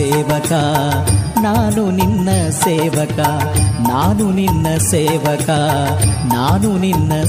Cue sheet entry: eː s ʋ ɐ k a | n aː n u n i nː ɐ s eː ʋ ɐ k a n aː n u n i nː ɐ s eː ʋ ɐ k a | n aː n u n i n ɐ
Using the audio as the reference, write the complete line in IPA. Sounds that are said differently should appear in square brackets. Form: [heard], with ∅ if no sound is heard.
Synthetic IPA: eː [∅] ʋ ɐ k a | n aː n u n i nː ɐ s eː ʋ ɐ k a n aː n u n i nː ɐ s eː ʋ ɐ k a | n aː n u n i [nː] ɐ